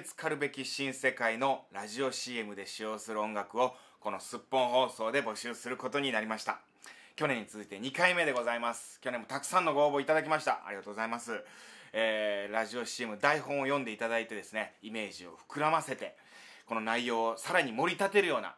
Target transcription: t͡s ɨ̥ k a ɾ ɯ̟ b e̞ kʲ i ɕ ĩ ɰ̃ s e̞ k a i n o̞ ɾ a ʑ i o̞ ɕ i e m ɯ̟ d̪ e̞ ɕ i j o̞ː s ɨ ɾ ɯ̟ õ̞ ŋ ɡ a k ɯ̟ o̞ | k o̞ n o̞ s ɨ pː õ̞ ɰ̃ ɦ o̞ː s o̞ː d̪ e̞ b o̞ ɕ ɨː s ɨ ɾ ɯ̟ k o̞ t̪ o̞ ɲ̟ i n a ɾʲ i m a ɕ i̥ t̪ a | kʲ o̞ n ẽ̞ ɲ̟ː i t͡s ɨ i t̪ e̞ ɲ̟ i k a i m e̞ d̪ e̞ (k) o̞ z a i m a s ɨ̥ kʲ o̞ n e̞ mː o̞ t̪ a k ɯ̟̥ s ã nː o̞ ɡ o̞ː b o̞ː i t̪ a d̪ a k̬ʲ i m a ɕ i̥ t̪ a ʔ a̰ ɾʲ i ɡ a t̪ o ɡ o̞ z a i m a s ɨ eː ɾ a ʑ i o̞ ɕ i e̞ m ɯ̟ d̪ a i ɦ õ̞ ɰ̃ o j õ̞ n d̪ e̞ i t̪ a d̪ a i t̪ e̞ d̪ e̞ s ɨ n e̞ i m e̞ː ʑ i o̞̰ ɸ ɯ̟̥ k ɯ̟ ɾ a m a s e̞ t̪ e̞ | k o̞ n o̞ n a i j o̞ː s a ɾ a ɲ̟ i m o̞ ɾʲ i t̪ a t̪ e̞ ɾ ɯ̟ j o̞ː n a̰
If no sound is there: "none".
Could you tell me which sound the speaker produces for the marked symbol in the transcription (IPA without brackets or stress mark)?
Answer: ɡ